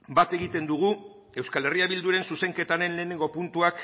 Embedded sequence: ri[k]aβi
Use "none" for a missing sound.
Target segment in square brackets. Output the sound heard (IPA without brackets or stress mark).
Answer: none